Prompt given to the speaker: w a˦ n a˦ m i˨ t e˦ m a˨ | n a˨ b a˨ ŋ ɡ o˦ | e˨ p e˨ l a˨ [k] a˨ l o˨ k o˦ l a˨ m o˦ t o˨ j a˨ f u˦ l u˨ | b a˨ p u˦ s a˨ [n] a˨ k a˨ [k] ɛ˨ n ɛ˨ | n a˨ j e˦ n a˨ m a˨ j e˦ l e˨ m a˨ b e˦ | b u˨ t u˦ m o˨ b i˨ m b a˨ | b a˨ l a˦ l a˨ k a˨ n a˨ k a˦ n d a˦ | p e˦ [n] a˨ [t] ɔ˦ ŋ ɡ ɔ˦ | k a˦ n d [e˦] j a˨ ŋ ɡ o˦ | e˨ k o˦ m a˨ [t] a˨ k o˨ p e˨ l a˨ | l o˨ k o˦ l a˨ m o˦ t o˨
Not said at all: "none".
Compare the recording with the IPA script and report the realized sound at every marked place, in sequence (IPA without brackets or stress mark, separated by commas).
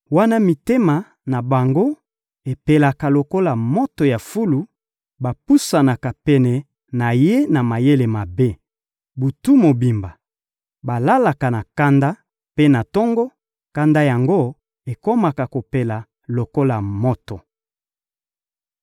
k, n, p, n, t, a˦, k